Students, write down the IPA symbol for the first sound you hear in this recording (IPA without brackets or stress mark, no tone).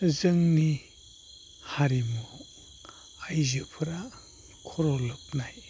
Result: z